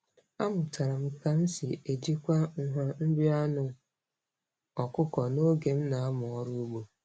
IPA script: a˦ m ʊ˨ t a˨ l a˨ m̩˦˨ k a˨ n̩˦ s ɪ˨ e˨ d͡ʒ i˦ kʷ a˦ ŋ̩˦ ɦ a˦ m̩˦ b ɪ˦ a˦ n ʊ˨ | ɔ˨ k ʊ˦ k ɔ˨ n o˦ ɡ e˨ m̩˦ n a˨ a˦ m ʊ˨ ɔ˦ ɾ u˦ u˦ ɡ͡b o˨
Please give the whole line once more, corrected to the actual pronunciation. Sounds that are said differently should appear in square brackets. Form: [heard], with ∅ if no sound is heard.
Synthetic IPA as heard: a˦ m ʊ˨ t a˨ [ɾ] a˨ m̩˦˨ k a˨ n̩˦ s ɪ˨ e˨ d͡ʒ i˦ kʷ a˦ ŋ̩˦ ɦ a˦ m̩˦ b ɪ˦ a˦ n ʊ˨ | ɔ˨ k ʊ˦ k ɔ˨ n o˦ ɡ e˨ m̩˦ n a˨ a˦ m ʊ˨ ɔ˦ ɾ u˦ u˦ ɡ͡b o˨